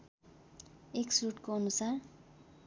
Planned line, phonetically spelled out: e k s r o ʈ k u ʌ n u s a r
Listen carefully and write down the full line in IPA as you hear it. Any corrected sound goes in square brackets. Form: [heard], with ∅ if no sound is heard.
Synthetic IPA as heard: e k s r [u] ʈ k [o] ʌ n u s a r